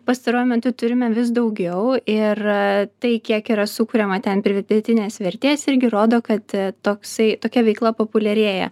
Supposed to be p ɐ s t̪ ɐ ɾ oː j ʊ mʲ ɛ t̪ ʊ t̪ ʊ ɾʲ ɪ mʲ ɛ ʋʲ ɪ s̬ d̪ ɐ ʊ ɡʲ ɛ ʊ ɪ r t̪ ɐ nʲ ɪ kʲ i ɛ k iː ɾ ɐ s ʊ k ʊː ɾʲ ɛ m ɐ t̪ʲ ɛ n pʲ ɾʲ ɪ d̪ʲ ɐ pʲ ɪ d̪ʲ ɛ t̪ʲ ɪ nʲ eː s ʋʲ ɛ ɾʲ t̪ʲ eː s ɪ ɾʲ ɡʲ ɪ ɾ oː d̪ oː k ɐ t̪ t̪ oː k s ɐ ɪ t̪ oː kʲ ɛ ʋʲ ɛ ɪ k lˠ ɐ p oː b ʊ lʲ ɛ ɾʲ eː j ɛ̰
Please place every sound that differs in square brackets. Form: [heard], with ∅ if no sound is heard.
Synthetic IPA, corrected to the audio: p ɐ s t̪ ɐ ɾ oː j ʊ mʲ ɛ t̪ ʊ t̪ ʊ ɾʲ ɪ mʲ ɛ ʋʲ ɪ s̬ d̪ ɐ ʊ ɡʲ ɛ ʊ ɪ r t̪ ɐ [∅] ɪ kʲ i ɛ k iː ɾ ɐ s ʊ k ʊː ɾʲ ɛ m ɐ t̪ʲ ɛ n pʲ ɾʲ ɪ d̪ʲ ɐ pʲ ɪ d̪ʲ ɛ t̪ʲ ɪ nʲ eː s ʋʲ ɛ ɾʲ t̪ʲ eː s ɪ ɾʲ ɡʲ ɪ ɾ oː d̪ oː k ɐ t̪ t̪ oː k s ɐ ɪ t̪ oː kʲ ɛ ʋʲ ɛ ɪ k lˠ ɐ p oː [p] ʊ lʲ ɛ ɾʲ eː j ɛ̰